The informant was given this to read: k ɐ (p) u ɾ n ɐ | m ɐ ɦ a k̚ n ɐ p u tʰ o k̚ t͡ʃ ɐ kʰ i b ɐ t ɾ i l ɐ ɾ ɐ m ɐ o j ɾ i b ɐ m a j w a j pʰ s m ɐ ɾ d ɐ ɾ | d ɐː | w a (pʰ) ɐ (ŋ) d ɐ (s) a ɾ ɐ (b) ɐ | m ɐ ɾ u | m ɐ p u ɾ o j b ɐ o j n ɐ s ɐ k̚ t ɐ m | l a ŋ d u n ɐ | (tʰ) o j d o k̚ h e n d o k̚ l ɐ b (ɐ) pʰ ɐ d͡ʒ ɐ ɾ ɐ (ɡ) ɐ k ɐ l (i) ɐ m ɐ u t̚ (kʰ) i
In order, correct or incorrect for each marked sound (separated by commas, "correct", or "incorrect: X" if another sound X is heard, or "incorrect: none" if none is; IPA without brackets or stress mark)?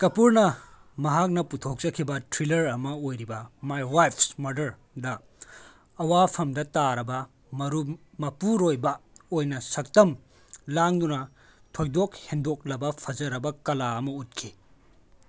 correct, correct, incorrect: m, incorrect: t, correct, correct, correct, incorrect: b, incorrect: a, correct